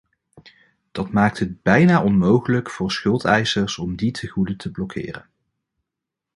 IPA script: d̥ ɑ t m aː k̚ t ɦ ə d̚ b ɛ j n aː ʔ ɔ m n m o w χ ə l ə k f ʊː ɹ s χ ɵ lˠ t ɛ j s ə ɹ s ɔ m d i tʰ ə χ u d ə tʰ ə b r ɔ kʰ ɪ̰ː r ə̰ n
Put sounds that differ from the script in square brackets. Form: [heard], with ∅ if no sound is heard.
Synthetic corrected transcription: d̥ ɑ t m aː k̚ t ɦ ə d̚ b ɛ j n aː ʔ ɔ [∅] n m o w χ ə l ə k f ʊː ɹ s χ ɵ lˠ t ɛ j s ə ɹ s ɔ m d i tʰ ə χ u d ə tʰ ə b [l] ɔ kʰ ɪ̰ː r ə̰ n